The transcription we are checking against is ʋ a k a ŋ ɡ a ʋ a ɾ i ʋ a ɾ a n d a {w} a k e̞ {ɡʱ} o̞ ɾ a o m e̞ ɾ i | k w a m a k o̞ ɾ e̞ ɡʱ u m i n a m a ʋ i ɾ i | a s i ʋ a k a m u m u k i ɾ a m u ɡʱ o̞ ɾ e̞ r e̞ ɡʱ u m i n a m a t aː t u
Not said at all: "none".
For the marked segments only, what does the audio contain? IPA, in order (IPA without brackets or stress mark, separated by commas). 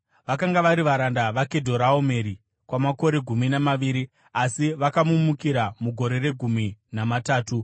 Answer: ʋ, dʱ